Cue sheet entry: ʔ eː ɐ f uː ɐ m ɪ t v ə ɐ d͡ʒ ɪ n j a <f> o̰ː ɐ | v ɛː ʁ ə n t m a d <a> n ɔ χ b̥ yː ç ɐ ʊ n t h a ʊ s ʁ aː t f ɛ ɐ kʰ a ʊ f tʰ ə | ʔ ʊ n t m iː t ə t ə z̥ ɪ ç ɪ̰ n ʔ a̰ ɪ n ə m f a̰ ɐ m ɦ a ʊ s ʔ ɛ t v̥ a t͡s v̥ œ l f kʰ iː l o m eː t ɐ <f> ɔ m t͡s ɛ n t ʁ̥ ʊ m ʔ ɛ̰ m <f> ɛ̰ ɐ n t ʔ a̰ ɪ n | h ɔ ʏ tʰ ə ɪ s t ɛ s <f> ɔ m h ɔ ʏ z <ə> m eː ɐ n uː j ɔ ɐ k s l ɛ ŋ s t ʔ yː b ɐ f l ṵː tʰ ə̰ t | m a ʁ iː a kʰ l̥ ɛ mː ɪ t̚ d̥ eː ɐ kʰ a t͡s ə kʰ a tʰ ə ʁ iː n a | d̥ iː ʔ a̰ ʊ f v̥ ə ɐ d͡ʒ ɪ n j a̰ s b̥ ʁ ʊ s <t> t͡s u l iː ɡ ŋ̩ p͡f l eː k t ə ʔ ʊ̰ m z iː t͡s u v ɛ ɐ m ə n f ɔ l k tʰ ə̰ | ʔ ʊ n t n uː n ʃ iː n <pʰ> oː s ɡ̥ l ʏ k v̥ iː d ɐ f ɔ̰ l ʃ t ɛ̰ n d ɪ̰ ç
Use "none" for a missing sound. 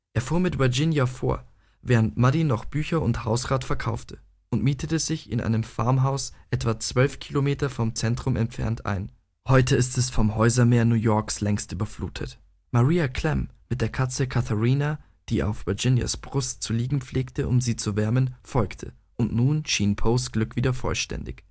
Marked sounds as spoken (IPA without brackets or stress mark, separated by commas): f, i, f, f, f, ɐ, t, pʰ